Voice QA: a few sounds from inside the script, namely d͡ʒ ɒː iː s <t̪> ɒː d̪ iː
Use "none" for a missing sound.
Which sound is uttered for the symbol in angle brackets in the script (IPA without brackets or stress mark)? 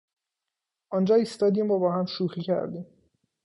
t̪